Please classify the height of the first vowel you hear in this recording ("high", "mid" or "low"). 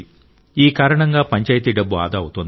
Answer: high